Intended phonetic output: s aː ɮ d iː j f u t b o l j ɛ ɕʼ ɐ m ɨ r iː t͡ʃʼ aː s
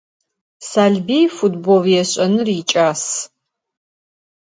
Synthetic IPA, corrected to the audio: s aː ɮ b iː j f u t b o l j ɛ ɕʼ ɐ n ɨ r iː t͡ʃʼ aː s